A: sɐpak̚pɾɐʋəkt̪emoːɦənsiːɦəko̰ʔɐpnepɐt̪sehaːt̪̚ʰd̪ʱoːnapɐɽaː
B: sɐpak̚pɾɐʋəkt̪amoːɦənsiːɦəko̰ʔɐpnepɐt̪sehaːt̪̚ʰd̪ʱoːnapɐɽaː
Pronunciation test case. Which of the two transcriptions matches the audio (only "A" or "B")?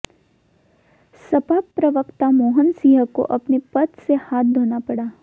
B